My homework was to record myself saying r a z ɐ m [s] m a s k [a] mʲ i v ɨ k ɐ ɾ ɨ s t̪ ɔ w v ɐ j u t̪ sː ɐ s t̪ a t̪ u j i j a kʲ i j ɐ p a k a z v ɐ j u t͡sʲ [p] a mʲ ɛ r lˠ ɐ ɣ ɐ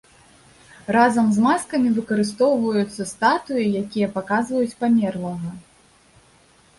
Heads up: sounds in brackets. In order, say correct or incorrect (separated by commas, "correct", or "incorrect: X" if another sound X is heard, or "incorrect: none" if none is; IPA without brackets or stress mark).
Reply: incorrect: z, incorrect: ɐ, correct